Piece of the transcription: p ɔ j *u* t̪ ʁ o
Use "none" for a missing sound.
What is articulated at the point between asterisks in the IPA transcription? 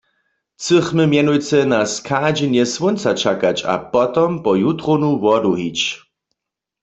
u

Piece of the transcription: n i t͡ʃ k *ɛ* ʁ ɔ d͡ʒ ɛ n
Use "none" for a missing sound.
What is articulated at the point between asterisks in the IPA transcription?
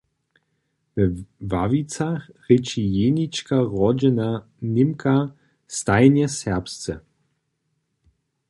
a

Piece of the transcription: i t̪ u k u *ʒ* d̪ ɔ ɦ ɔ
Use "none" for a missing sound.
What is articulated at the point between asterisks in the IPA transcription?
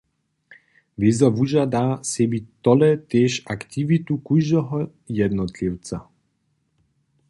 ʒ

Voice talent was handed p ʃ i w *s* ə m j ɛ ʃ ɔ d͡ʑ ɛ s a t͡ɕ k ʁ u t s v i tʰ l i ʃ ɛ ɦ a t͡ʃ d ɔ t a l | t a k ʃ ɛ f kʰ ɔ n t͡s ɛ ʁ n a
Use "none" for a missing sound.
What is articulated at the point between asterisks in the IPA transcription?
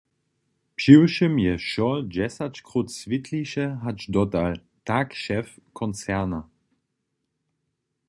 ʃ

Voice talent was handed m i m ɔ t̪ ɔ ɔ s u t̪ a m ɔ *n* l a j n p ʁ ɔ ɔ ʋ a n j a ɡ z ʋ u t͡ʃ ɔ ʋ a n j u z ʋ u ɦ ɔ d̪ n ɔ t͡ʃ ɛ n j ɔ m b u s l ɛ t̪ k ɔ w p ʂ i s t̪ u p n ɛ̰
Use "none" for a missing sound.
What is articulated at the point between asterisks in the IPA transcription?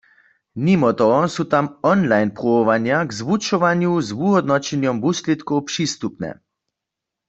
n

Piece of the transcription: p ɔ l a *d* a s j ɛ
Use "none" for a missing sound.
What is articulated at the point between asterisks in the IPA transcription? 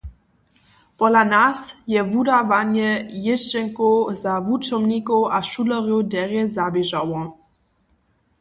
n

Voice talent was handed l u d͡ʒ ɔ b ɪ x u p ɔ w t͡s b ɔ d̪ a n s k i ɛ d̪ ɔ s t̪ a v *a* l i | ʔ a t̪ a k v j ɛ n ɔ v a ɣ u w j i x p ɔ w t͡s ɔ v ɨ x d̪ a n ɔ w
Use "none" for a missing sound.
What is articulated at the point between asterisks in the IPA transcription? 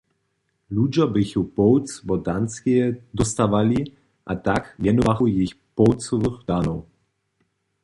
a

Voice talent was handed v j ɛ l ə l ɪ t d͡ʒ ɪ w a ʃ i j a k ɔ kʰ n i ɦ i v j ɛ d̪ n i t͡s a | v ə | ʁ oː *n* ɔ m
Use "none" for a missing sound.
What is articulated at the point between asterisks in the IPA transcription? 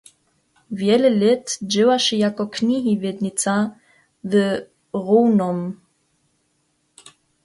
n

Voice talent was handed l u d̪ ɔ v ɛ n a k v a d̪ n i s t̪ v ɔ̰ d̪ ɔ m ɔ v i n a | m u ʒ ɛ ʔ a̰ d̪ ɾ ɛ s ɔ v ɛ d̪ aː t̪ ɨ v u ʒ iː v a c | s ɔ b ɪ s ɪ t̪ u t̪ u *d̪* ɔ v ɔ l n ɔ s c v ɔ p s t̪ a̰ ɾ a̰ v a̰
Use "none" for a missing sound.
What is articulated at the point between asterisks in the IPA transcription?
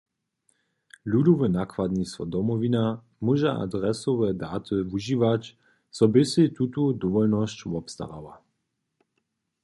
d̪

